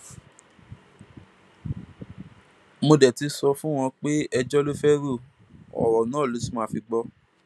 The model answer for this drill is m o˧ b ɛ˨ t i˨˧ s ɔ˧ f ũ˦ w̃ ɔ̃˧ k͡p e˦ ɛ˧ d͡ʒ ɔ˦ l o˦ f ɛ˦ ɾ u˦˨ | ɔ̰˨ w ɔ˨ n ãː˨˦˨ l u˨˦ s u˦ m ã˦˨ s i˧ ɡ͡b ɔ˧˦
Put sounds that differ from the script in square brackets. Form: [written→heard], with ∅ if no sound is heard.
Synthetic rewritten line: m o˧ [b→d] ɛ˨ t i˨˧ s ɔ˧ f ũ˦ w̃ ɔ̃˧ k͡p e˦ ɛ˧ d͡ʒ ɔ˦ l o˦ f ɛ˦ ɾ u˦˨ | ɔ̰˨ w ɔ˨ n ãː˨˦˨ l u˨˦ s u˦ m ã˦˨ [s→f] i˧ ɡ͡b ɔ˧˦